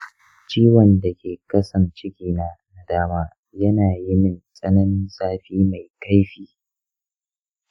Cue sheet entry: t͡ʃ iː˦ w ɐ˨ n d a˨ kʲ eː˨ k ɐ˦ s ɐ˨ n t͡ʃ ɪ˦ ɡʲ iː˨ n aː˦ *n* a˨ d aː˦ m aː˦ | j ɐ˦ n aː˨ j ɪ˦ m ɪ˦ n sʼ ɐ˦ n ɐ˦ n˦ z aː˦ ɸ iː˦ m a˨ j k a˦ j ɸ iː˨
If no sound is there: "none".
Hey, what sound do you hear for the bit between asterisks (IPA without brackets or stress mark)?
n